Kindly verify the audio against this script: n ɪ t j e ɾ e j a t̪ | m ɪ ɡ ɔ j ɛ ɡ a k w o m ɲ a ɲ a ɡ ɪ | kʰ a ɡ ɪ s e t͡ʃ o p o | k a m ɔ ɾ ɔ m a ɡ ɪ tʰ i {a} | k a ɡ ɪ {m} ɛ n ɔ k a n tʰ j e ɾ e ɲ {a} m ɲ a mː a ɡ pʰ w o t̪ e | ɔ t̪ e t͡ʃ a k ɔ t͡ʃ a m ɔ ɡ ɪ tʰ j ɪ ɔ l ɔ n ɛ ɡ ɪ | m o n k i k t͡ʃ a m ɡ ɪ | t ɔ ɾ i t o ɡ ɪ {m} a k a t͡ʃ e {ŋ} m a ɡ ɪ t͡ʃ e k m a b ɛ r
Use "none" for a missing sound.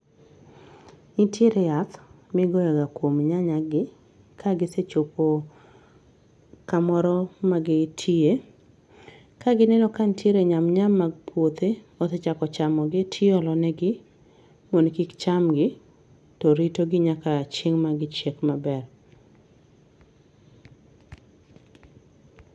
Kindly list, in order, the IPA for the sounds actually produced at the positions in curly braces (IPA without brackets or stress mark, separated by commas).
e, n, a, ɲ, ŋ